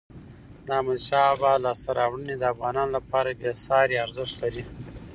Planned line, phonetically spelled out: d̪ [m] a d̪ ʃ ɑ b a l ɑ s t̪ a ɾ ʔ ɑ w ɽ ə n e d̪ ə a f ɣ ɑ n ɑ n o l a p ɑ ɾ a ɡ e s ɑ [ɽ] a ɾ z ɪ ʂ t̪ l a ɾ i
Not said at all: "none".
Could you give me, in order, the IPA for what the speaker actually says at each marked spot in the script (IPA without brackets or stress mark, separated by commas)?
m, ɾ